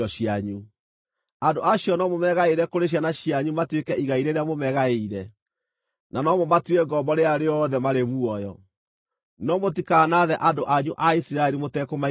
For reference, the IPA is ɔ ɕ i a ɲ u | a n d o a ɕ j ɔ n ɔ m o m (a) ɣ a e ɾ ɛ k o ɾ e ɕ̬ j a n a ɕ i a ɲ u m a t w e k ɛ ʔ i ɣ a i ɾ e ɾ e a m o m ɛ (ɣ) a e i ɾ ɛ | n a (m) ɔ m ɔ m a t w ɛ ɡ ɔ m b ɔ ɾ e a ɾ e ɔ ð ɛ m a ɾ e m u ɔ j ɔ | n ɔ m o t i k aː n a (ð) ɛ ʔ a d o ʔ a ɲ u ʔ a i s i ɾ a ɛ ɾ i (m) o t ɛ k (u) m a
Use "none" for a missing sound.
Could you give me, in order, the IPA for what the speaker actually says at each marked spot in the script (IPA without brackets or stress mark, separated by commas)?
ɛ, ɣ, n, ð, m, o